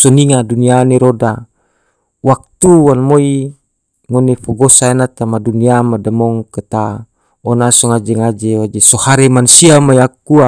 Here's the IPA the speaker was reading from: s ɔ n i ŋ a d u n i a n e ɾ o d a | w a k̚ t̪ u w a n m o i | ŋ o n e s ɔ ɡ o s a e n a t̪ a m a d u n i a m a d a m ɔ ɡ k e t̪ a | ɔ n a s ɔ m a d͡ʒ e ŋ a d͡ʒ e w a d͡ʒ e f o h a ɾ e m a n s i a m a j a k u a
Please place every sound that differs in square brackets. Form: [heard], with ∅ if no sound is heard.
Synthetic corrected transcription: s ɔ n i ŋ a d u n i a n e ɾ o d a | w a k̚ t̪ u w a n m o i | ŋ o n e [f] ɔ ɡ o s a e n a t̪ a m a d u n i a m a d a m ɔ [ŋ] k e t̪ a | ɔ n a s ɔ [ŋ] a d͡ʒ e ŋ a d͡ʒ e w a d͡ʒ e [s] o h a ɾ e m a n s i a m a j a k u a